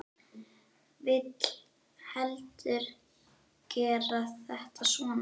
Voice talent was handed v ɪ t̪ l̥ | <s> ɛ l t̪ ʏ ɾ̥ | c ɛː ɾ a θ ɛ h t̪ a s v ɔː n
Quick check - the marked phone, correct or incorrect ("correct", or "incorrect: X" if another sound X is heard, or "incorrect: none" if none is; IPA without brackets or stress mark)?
incorrect: h